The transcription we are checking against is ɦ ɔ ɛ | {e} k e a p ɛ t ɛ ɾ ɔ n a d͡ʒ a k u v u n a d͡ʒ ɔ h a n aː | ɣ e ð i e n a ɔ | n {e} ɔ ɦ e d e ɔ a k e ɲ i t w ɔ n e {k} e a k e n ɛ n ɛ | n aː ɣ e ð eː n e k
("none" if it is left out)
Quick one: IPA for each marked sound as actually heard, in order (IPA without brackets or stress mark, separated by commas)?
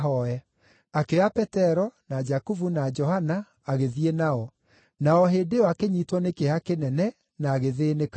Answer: a, a, k